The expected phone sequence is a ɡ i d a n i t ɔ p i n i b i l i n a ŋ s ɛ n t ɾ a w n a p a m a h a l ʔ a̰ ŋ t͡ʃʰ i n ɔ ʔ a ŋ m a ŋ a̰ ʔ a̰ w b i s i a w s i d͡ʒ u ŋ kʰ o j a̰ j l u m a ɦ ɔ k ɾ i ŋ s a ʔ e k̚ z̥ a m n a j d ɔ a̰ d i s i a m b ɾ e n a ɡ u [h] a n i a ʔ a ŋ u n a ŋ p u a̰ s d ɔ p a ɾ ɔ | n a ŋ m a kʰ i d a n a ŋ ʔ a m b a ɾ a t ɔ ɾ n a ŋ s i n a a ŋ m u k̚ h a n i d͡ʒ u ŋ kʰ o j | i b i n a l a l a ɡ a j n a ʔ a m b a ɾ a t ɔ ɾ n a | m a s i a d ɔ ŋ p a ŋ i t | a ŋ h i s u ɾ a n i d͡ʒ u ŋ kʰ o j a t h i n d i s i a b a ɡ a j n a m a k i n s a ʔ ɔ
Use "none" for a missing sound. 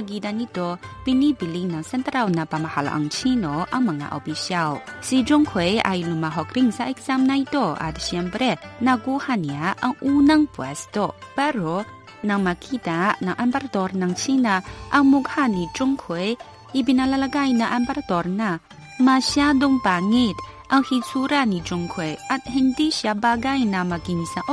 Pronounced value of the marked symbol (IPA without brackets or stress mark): h